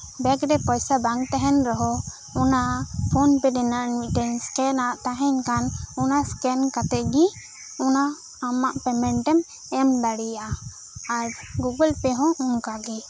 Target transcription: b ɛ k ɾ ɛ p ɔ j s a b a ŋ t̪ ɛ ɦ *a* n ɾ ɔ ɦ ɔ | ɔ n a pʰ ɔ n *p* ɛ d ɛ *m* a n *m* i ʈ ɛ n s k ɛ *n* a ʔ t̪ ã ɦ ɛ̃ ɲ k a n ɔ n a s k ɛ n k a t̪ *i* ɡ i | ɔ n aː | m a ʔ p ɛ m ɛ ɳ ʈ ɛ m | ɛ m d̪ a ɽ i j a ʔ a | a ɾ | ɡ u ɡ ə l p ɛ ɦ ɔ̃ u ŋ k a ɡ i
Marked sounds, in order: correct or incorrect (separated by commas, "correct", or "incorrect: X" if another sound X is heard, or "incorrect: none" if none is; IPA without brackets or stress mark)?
incorrect: ɛ, correct, incorrect: n, correct, correct, incorrect: ɛ